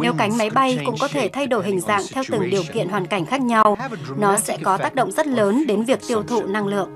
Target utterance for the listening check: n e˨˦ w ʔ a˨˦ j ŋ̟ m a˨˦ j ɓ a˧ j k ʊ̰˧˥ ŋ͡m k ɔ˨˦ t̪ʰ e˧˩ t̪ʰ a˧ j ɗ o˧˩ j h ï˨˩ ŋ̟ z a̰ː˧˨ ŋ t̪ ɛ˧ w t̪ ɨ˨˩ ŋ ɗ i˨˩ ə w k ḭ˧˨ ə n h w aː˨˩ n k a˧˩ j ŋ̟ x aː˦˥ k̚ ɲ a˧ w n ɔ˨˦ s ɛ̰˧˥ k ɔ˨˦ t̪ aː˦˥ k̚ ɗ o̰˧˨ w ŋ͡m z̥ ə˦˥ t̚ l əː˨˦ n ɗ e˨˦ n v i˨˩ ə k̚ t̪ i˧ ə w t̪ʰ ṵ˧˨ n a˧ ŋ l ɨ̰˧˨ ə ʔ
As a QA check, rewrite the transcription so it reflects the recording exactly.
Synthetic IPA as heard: n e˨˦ w k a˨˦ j ŋ̟ m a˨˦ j ɓ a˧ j k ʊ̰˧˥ ŋ͡m k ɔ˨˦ t̪ʰ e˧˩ t̪ʰ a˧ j ɗ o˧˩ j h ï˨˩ ŋ̟ z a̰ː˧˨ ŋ t̪ʰ ɛ˧ w t̪ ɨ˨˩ ŋ ɗ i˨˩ ə w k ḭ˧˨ ə n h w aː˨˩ n k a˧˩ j ŋ̟ x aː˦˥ k̚ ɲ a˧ w n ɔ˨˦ s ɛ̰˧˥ k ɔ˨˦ t̪ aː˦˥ k̚ ɗ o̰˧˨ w ŋ͡m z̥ ə˦˥ t̚ l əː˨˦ n ɗ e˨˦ n v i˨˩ ə k̚ t̪ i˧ ə w t̪ʰ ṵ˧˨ n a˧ ŋ l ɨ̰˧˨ ə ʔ